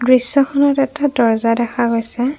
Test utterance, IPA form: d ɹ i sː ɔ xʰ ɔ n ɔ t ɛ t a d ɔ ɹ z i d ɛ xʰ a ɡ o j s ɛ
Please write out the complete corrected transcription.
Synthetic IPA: d ɹ i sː ɔ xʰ ɔ n ɔ t ɛ t a d ɔ ɹ z a d ɛ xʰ a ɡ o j s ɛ